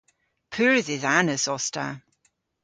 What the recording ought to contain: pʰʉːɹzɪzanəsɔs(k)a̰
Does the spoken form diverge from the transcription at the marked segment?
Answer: yes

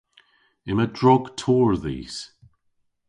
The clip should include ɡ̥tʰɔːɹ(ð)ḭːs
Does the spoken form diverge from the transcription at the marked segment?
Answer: no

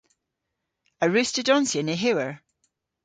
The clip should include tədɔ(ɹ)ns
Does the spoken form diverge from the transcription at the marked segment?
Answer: yes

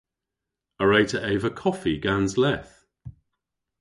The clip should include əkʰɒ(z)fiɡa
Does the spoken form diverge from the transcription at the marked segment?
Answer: yes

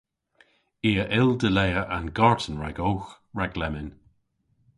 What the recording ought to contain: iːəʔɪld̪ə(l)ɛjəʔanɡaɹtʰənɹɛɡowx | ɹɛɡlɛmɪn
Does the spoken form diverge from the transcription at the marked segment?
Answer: no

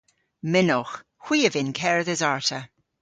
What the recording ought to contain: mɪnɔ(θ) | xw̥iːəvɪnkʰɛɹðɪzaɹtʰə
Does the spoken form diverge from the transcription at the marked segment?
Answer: yes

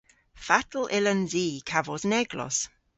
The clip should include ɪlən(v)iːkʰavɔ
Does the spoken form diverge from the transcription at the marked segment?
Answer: yes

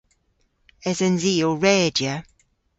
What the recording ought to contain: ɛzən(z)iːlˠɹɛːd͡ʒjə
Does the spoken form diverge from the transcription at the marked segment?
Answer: no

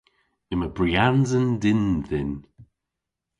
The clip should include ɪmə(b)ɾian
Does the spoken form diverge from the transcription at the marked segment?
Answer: no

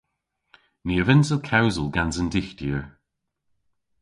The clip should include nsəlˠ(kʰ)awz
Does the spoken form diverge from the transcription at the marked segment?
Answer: no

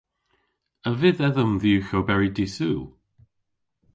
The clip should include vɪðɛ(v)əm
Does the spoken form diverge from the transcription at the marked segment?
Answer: yes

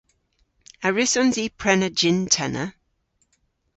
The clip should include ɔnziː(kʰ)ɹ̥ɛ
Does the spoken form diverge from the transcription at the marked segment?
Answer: yes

